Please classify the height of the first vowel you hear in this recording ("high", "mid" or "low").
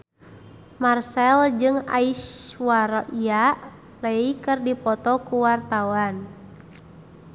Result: low